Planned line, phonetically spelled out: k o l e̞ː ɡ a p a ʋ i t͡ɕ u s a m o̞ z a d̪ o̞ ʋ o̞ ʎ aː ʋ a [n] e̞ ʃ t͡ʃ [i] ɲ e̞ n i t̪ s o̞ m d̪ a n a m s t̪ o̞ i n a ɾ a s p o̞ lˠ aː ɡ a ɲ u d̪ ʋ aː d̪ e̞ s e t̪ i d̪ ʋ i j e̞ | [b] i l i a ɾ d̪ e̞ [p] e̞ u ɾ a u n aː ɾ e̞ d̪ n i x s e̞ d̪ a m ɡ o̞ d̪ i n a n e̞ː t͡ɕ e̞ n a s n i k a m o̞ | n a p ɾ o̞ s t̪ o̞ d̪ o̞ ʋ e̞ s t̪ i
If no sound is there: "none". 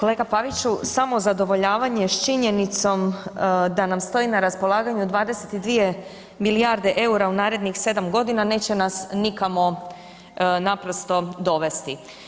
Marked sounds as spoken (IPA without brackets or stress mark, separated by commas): ɲ, i, m, ʔ